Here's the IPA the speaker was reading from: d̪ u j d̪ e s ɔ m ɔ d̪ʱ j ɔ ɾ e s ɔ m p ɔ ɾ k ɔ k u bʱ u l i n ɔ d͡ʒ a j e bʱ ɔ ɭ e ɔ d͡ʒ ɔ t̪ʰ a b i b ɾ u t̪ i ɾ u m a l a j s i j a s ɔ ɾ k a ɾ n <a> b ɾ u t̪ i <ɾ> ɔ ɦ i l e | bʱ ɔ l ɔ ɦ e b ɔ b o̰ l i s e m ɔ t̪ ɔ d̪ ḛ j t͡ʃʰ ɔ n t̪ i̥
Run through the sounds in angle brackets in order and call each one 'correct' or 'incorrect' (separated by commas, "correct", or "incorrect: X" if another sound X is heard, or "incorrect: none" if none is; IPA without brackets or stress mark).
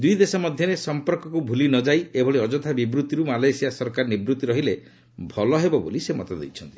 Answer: incorrect: i, correct